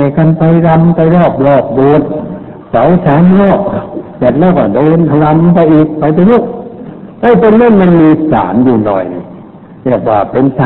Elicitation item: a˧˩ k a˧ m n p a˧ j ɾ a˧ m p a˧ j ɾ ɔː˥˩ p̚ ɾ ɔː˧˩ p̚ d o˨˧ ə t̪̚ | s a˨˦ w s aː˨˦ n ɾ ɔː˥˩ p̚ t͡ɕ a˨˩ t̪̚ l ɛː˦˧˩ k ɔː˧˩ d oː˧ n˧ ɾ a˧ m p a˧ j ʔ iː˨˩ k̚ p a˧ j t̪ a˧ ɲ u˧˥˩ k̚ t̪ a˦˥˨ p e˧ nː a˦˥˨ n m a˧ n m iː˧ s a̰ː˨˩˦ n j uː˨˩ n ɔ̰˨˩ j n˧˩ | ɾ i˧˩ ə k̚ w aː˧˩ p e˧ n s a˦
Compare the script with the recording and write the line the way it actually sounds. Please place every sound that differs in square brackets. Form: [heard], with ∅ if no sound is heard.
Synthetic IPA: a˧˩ k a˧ [∅] n p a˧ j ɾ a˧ m p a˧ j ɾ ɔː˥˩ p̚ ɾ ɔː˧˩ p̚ d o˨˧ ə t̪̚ | s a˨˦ w s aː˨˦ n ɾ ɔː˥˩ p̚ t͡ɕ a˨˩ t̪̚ l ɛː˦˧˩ k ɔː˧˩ d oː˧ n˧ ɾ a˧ m p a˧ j ʔ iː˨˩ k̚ p a˧ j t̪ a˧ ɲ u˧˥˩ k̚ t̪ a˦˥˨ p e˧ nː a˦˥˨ n m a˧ n m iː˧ s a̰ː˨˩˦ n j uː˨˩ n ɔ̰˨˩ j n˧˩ | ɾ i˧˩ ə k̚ w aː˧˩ p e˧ n s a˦